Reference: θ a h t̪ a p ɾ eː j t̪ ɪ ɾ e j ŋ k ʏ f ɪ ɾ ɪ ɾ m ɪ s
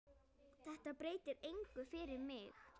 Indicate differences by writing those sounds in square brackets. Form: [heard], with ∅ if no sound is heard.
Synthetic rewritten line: θ [ɛ] h t̪ a p ɾ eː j t̪ ɪ ɾ e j ŋ k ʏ f ɪ ɾ ɪ ɾ m ɪ [x]